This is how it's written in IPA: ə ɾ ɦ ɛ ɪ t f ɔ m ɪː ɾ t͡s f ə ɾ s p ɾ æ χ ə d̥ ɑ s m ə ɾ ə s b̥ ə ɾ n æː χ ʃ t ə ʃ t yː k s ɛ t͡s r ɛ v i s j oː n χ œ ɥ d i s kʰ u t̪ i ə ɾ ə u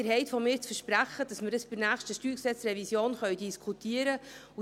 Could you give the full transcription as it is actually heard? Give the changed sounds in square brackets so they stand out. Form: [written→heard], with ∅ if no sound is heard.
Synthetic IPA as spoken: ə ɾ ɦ ɛ ɪ t f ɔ m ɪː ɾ t͡s f ə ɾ [s→ʃ] p ɾ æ χ ə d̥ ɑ s m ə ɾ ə s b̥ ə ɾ n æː χ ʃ t ə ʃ t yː k s ɛ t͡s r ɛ v i s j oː n χ œ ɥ d i s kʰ u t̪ i ə ɾ ə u